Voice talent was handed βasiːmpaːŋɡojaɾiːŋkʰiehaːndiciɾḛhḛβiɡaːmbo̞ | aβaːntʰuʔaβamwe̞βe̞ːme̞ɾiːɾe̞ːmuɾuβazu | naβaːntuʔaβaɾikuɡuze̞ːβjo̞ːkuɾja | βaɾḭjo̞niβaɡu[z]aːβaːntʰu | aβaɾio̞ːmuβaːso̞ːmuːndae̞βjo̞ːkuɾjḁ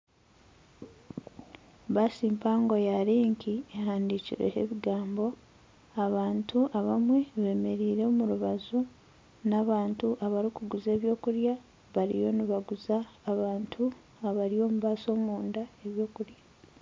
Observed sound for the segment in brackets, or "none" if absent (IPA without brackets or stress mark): z